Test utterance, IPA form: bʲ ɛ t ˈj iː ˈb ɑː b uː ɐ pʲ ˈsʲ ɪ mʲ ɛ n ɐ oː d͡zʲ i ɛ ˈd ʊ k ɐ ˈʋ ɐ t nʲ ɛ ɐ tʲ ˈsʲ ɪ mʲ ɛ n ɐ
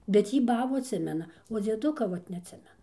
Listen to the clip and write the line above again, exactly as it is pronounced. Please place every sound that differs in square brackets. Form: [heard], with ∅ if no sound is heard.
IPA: bʲ ɛ t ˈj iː ˈb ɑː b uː ɐ [tʲ] ˈsʲ ɪ mʲ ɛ n ɐ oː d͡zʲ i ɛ ˈd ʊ k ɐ ˈʋ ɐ t nʲ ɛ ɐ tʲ ˈsʲ ɪ mʲ ɛ n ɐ